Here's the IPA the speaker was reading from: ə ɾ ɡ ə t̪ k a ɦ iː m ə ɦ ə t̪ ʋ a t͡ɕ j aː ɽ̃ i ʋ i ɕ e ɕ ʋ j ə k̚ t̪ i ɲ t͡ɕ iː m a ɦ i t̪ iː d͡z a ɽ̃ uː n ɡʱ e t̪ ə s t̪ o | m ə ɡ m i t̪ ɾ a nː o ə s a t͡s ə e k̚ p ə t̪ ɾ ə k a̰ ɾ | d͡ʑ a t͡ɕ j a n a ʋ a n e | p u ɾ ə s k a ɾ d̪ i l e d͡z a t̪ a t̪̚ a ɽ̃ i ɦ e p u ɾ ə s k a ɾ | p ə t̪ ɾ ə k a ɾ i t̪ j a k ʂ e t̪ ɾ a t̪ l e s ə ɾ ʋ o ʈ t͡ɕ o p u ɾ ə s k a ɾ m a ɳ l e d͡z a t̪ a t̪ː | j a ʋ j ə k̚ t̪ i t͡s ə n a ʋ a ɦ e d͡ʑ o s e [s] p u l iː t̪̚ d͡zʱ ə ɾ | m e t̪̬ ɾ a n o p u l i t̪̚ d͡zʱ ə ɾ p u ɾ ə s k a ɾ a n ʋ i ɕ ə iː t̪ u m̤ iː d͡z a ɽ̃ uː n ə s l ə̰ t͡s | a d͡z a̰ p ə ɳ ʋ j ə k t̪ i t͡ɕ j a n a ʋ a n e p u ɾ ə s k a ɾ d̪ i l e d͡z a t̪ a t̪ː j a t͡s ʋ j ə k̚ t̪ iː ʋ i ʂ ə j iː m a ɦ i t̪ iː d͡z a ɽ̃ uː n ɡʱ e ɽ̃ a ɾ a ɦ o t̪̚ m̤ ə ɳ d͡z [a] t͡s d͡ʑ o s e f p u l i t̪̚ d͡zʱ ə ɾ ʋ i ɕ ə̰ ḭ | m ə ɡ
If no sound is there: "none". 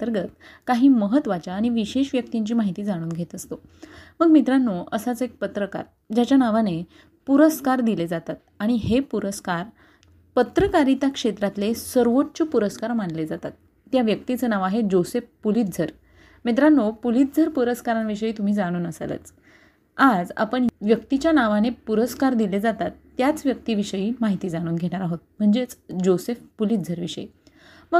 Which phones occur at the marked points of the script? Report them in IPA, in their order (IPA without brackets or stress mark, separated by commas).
f, e